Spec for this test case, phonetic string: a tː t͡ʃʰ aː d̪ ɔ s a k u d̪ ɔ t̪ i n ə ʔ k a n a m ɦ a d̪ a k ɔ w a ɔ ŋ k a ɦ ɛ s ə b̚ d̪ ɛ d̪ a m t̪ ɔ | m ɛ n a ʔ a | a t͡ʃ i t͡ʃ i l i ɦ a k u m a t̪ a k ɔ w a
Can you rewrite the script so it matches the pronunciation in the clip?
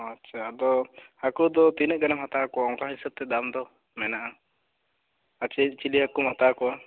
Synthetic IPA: a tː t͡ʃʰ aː d̪ ɔ h a k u d̪ ɔ t̪ i n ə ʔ ɡ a n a m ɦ a t̪ a k ɔ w a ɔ ŋ k a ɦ i s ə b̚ t̪ ɛ d̪ a m d̪ ɔ | m ɛ n a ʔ a | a t͡ʃ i t͡ʃ i l i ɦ a k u m a t̪ a k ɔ w a